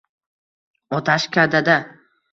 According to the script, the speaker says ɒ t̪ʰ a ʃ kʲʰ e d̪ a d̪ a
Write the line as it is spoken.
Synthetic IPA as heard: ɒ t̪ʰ a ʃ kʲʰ a d̪ a d̪ a